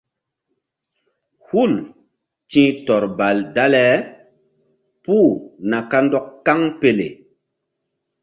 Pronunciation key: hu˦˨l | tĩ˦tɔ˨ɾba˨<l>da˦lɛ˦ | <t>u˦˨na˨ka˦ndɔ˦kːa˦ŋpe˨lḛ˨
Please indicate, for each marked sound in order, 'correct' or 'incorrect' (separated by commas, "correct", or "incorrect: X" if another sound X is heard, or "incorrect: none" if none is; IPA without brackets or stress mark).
correct, incorrect: p